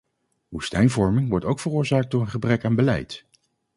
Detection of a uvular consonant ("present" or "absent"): present